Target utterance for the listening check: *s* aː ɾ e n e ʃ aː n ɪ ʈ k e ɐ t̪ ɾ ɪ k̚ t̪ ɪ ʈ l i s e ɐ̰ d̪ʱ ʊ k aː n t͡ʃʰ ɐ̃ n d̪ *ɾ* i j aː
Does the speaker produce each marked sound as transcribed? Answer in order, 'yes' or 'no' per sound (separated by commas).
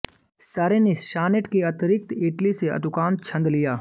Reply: yes, no